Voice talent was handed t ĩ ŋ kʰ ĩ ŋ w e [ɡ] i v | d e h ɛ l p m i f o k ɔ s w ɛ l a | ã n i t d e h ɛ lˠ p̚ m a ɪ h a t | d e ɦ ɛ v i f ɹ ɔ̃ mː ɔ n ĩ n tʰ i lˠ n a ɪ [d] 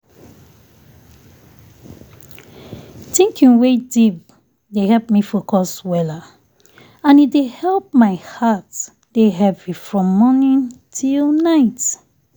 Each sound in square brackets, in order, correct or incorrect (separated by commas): incorrect, incorrect